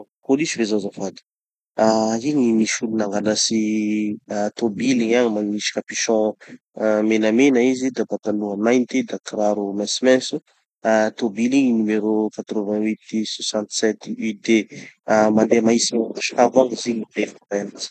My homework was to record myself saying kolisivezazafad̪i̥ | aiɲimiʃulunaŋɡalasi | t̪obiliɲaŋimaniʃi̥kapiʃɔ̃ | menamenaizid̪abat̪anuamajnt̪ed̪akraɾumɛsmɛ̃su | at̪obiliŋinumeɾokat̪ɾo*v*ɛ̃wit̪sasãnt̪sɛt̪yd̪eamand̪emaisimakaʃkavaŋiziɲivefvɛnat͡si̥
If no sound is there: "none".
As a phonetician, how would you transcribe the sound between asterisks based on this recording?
v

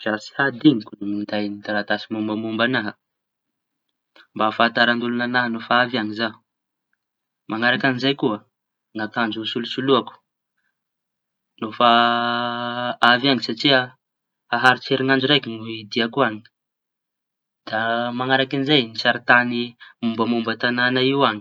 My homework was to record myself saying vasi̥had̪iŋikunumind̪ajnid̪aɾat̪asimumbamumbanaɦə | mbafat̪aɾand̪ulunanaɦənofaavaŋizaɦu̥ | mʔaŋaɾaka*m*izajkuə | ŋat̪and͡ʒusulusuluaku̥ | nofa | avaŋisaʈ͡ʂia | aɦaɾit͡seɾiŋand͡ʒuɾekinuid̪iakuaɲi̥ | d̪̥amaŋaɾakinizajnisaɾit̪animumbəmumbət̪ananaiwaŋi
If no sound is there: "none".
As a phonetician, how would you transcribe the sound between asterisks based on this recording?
n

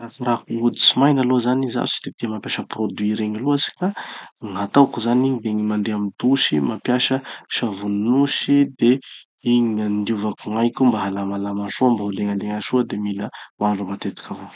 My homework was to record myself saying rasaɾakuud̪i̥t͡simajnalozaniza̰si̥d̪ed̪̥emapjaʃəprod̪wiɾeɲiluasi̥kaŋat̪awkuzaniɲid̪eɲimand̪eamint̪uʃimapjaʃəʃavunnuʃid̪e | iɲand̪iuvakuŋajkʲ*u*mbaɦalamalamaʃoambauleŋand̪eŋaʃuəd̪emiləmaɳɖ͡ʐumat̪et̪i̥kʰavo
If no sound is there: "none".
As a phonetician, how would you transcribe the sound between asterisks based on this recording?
u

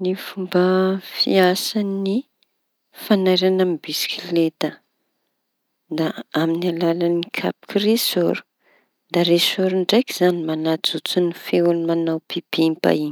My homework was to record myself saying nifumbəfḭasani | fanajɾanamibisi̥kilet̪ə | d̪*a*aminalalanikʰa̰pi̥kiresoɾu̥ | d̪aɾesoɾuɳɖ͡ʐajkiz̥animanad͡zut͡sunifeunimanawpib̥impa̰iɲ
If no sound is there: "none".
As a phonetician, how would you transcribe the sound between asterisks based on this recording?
a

